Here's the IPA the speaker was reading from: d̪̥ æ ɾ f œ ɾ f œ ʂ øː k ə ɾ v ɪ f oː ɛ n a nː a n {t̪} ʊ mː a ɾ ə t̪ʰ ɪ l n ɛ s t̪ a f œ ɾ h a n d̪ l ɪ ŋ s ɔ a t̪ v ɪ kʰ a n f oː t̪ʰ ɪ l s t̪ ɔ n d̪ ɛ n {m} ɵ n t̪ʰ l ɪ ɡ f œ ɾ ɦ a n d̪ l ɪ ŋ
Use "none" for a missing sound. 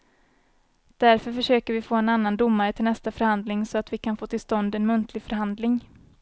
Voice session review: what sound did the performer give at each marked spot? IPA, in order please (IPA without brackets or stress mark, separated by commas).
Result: d̪, m